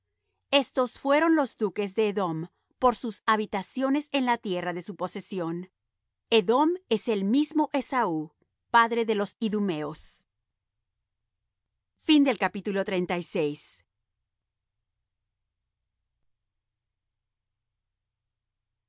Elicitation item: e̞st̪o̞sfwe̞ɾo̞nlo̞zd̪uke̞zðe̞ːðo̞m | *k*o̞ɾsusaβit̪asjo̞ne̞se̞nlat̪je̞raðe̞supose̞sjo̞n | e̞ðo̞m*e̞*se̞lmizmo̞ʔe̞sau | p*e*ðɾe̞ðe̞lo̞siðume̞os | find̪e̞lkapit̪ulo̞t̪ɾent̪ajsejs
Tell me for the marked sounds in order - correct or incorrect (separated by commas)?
incorrect, correct, incorrect